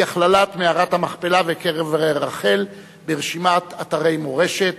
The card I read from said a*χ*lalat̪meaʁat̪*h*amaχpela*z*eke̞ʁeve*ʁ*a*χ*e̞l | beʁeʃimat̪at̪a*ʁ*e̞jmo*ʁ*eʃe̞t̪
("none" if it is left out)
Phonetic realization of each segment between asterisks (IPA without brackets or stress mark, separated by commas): χ, h, v, ʁ, χ, ʁ, ʁ